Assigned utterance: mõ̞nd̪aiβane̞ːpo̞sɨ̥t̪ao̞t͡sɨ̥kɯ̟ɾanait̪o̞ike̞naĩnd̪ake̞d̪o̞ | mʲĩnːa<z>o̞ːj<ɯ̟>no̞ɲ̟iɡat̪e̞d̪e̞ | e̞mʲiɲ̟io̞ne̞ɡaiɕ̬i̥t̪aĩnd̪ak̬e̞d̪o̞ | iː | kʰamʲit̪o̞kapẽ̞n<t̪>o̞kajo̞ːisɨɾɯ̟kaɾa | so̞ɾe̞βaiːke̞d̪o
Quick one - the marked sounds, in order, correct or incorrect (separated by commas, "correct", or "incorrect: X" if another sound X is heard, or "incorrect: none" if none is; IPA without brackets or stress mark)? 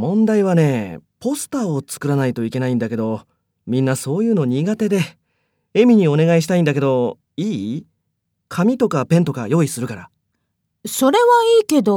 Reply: incorrect: s, incorrect: ɯ̟ː, correct